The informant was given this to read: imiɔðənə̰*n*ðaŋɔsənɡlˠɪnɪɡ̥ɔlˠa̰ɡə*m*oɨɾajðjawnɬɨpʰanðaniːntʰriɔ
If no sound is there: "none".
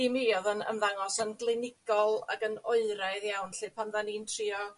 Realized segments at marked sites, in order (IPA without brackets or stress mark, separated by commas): m, n